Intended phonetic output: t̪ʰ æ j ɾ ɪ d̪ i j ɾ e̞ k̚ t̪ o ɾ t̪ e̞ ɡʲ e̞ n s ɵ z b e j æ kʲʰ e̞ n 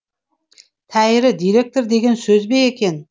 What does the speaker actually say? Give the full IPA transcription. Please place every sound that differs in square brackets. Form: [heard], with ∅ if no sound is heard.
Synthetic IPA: t̪ʰ æ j ɾ ɪ d̪ i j ɾ e̞ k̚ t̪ o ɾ [d̪] e̞ ɡʲ e̞ n s ɵ z b e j [e] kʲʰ e̞ n